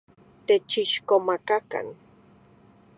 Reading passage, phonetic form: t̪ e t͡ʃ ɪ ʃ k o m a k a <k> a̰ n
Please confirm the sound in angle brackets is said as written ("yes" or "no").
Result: yes